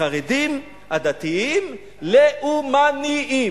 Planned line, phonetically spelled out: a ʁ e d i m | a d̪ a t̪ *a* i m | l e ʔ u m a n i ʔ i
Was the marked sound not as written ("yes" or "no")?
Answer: yes